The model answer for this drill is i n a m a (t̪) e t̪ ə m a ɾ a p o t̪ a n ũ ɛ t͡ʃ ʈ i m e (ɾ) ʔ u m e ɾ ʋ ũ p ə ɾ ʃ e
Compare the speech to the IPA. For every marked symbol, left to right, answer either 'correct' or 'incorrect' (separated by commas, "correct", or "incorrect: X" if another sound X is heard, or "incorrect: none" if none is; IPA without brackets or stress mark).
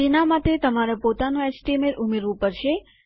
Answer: correct, correct